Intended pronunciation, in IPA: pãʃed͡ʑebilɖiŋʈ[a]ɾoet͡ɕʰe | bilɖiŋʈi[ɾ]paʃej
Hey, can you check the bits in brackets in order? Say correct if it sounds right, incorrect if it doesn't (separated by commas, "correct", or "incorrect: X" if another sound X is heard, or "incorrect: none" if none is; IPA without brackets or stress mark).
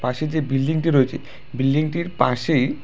incorrect: i, correct